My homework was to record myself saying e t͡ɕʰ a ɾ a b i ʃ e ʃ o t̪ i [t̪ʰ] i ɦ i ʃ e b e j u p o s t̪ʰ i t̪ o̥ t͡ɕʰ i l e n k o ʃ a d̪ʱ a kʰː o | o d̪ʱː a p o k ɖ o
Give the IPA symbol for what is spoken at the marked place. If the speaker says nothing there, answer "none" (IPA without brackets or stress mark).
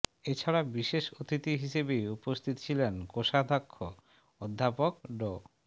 t̪